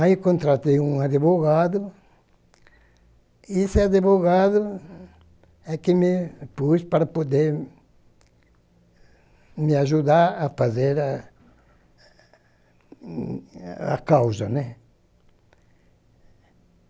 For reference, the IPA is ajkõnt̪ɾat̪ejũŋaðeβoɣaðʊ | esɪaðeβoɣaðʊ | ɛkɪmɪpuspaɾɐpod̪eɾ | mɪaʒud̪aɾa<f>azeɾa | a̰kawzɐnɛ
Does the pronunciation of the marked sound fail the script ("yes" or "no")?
no